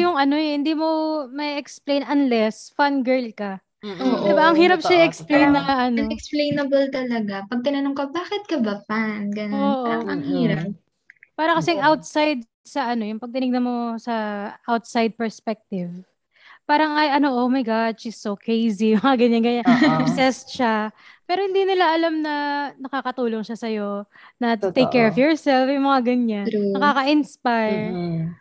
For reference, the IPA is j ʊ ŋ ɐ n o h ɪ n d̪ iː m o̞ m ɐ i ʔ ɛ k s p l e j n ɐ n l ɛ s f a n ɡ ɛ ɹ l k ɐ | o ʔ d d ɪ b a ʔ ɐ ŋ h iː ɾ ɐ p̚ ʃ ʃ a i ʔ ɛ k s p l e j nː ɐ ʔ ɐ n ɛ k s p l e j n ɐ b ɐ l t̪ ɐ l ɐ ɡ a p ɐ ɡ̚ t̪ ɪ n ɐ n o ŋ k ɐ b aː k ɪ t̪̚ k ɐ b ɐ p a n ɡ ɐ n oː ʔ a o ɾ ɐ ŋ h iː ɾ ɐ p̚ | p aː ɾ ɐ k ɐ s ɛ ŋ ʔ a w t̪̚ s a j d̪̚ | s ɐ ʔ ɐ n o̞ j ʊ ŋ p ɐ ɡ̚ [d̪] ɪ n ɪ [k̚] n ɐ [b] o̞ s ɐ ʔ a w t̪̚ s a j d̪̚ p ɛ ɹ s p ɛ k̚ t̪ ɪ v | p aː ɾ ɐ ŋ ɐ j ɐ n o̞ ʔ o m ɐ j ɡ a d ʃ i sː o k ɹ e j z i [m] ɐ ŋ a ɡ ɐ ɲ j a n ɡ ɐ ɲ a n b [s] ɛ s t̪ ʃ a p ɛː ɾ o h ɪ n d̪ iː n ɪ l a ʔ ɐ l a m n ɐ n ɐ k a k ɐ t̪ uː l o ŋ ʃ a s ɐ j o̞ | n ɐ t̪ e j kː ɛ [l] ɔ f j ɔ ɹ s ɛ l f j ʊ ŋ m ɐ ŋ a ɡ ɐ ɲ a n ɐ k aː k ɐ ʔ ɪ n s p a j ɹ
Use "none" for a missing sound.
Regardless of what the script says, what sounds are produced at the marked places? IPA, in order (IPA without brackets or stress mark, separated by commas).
t̪, ɡ̚, m, m, s, ɹ